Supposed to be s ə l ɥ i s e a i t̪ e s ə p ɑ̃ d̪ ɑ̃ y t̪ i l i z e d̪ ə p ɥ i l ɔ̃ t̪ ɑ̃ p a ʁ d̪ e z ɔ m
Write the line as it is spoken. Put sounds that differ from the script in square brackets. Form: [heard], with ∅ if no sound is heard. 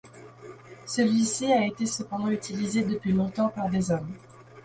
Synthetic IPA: s ə l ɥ i s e a [e] t̪ e s ə p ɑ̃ d̪ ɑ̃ y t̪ i l i z e d̪ ə p ɥ i l ɔ̃ t̪ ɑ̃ p a ʁ d̪ e z ɔ m